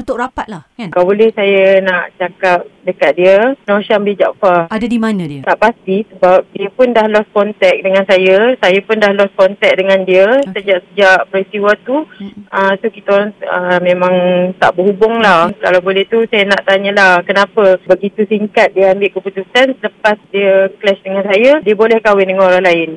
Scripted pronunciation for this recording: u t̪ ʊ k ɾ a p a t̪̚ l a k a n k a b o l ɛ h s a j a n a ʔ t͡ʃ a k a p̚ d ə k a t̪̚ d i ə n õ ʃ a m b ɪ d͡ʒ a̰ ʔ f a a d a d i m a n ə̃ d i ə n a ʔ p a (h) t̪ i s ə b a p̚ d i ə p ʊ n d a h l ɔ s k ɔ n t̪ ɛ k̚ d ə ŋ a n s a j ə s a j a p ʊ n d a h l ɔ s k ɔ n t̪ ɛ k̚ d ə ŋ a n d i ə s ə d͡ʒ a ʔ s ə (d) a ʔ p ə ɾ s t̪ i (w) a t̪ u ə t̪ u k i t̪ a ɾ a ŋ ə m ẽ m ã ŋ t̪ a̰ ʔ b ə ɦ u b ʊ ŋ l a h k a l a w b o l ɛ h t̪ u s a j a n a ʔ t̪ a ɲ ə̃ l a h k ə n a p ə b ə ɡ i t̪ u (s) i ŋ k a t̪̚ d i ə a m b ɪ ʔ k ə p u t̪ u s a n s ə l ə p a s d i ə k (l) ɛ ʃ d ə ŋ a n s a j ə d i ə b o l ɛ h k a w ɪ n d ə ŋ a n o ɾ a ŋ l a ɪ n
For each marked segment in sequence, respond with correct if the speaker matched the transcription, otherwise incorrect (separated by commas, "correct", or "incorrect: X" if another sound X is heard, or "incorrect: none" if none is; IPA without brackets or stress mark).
incorrect: s, incorrect: d͡ʒ, correct, correct, correct